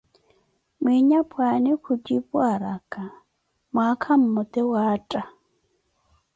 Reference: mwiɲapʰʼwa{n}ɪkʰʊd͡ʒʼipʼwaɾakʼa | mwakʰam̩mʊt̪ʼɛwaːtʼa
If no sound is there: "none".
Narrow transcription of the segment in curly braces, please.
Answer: n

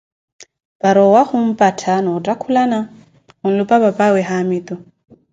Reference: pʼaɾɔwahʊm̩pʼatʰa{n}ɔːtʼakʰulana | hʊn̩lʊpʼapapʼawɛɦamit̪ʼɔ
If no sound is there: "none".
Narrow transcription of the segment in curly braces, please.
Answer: n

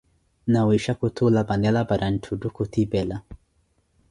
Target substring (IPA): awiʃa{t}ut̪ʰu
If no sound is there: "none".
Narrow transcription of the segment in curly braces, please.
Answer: k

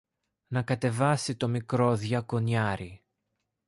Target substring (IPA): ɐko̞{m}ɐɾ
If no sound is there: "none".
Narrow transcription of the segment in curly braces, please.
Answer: ɲ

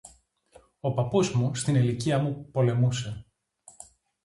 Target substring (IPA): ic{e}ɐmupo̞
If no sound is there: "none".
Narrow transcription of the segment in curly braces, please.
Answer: i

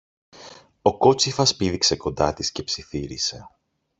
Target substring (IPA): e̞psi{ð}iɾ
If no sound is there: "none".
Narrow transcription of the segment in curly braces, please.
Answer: θ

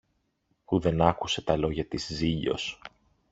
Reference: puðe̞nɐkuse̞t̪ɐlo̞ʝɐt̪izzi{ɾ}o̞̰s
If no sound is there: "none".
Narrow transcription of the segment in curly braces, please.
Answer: ʎ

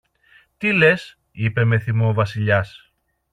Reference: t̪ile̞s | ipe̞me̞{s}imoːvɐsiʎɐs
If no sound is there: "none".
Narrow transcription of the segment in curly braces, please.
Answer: θ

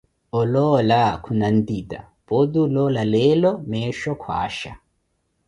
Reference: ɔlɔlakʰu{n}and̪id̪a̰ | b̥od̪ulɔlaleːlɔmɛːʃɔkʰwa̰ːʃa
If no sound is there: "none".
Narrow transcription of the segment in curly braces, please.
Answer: n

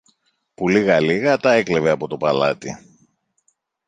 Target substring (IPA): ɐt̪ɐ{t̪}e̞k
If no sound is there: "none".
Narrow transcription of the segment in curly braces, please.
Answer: none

